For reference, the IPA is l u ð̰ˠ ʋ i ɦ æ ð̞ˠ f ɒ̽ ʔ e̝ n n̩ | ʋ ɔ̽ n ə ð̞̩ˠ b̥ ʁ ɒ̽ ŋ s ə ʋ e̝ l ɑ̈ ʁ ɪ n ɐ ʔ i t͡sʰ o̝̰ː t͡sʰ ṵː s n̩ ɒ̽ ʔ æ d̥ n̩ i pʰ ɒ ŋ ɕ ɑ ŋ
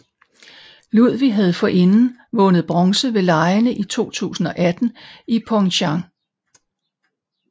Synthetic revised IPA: l u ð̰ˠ ʋ i ɦ æ ð̞ˠ f ɒ̽ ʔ e̝ n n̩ | ʋ ɔ̽ n ə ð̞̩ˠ b̥ ʁ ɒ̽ ŋ s ə ʋ e̝ l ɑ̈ ɪ n ə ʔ i t͡sʰ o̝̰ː t͡sʰ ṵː s n̩ ɒ̽ ʔ æ d̥ n̩ i pʰ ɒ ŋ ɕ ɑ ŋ